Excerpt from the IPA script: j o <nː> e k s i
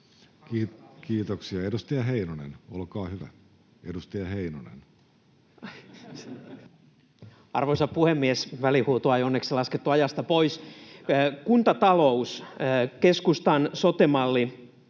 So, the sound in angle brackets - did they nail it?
yes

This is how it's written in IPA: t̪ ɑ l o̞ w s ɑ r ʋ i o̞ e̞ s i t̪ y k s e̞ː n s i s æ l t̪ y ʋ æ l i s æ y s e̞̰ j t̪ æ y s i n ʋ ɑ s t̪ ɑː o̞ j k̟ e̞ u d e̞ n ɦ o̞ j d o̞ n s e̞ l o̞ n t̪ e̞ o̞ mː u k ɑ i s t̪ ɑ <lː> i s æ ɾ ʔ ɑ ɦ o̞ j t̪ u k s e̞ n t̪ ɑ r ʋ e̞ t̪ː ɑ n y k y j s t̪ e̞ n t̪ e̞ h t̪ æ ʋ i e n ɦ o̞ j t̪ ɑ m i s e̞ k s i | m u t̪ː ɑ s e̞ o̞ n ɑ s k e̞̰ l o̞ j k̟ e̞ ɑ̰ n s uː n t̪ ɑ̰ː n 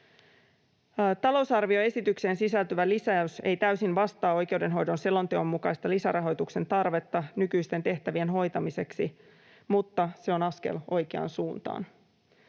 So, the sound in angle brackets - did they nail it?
no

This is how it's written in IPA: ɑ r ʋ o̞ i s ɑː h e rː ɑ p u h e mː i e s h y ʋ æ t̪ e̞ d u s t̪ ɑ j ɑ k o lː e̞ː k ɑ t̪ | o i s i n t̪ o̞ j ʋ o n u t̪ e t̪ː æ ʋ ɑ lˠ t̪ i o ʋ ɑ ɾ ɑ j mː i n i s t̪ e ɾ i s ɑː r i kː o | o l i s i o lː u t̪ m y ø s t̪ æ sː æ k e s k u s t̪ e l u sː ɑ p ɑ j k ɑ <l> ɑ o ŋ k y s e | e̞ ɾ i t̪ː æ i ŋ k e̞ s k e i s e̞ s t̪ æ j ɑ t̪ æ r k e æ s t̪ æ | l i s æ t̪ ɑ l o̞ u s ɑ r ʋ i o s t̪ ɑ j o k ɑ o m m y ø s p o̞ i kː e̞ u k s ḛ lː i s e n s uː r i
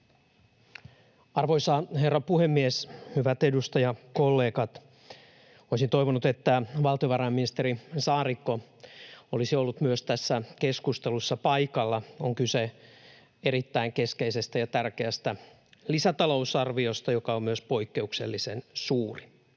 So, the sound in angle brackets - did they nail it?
no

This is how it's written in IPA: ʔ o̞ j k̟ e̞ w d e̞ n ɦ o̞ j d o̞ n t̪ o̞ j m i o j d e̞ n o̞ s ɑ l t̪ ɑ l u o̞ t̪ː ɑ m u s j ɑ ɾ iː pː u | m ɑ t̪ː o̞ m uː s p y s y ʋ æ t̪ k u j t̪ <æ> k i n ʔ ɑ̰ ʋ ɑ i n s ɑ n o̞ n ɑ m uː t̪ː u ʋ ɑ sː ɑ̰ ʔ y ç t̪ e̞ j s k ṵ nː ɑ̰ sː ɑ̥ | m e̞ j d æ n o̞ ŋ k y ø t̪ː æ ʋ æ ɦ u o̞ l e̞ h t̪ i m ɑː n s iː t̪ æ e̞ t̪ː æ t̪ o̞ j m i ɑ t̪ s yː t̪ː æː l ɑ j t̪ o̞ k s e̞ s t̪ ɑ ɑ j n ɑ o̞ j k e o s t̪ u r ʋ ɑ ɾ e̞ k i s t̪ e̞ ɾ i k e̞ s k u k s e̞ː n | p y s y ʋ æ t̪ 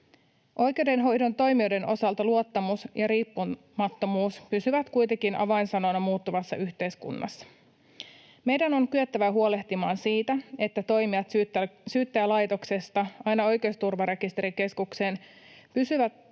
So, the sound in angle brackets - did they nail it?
no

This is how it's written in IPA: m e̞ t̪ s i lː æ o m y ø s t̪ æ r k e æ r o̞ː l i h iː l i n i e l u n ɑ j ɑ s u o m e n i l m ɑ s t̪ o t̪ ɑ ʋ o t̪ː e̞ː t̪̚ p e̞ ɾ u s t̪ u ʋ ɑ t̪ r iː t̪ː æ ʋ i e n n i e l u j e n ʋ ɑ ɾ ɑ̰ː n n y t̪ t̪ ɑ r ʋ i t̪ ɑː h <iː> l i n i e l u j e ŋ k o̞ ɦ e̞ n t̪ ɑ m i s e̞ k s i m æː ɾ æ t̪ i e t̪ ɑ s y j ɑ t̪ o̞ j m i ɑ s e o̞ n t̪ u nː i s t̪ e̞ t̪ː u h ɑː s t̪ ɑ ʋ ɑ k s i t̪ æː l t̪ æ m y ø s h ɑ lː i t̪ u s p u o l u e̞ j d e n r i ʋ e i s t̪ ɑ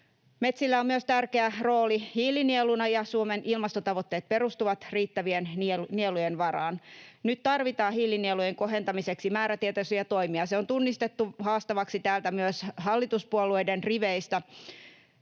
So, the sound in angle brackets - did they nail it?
yes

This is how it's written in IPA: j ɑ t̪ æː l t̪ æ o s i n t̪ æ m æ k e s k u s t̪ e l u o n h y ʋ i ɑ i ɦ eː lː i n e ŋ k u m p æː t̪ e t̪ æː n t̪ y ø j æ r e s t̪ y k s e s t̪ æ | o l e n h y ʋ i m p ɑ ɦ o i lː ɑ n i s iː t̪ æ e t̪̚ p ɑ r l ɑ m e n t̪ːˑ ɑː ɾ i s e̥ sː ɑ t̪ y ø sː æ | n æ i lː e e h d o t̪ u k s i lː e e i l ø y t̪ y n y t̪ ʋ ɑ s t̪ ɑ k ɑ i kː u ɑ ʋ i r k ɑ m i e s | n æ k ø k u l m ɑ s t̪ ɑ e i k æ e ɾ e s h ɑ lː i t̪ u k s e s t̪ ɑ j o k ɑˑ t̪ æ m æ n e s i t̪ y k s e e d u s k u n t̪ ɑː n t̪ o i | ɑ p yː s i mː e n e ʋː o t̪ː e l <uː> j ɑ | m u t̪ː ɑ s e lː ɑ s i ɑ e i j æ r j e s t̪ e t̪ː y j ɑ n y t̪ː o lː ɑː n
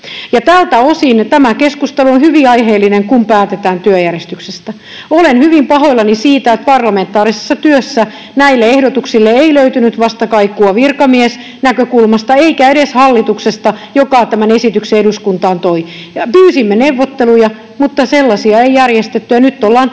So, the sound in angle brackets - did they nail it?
no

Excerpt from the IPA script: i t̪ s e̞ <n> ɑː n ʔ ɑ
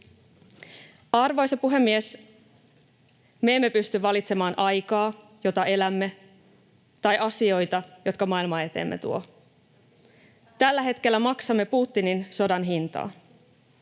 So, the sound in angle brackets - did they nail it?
no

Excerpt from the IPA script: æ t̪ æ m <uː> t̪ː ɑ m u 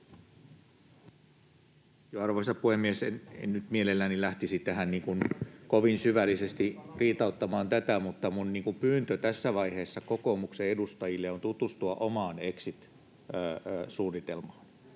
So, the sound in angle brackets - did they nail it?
no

